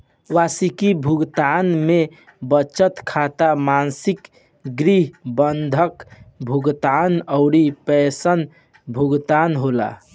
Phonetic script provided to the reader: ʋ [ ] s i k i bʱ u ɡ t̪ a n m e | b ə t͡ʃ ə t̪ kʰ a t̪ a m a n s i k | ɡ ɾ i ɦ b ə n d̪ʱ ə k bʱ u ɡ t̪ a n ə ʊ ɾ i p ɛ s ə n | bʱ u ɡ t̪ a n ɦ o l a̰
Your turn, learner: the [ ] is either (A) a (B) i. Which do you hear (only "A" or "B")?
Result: A